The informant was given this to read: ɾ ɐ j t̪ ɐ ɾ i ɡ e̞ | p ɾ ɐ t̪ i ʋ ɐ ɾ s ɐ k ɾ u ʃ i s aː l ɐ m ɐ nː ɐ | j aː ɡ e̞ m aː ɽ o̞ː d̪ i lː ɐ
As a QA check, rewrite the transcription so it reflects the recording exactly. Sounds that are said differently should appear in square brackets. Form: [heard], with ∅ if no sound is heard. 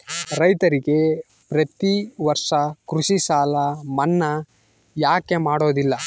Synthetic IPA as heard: ɾ ɐ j t̪ ɐ ɾ i ɡ e̞ | p ɾ ɐ t̪ i ʋ ɐ ɾ [ʂ] ɐ k ɾ u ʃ i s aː l ɐ m ɐ nː ɐ | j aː [k] e̞ m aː ɽ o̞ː d̪ i lː ɐ

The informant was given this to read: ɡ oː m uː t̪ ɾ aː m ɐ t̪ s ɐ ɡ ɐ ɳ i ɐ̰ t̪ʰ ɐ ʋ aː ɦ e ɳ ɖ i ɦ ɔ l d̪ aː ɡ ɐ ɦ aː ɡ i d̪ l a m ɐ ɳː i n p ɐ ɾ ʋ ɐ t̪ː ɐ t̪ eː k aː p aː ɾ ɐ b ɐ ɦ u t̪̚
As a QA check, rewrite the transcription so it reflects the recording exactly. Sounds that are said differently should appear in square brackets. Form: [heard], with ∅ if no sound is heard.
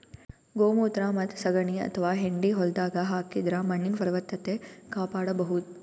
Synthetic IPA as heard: ɡ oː m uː t̪ ɾ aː m ɐ t̪ s ɐ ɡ ɐ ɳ i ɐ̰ t̪ʰ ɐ ʋ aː ɦ e ɳ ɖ i ɦ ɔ l d̪ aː ɡ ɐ ɦ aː [k] i d̪ [ɾ] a m ɐ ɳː i n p ɐ ɾ ʋ ɐ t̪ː ɐ t̪ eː k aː p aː [ɽ] ɐ b ɐ ɦ u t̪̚

